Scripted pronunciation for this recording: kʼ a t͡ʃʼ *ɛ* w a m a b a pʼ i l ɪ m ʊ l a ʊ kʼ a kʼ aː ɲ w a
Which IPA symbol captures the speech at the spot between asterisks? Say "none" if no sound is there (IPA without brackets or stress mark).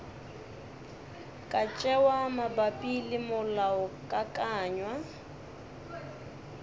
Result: ɛ